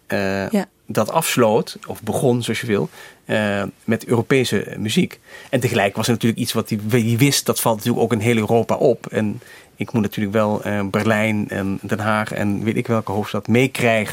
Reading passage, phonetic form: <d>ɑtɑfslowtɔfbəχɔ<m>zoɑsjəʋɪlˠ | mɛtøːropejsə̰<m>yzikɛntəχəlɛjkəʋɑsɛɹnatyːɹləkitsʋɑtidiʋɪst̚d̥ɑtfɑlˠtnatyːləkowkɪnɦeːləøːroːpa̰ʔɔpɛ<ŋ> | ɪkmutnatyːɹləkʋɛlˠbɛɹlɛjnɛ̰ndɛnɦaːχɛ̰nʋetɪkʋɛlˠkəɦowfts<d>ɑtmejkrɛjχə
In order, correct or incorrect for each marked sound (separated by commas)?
correct, incorrect, correct, incorrect, incorrect